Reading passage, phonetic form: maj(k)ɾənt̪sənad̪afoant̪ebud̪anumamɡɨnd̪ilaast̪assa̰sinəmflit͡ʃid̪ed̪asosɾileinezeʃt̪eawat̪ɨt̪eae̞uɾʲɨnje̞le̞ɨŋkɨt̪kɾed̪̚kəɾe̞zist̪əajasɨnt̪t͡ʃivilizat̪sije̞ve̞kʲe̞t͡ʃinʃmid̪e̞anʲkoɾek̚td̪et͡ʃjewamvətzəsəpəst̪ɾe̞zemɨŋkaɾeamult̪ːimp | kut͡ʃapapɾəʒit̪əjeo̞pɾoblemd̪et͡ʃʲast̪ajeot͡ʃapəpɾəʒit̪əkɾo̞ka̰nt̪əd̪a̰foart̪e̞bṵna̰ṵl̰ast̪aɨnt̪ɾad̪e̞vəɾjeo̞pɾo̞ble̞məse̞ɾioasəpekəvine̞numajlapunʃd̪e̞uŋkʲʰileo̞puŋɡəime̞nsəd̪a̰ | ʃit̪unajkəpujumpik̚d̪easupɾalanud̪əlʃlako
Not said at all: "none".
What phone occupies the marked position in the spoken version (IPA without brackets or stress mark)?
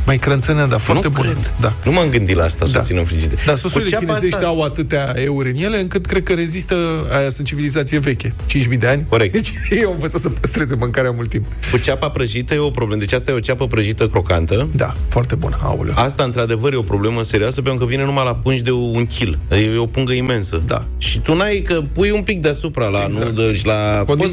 k